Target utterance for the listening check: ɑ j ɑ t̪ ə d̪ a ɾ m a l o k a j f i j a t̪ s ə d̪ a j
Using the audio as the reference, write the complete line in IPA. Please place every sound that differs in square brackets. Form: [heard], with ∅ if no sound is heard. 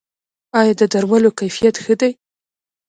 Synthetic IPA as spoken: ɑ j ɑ [d̪] ə d̪ a ɾ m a l o k a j f i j a t̪ [x] ə d̪ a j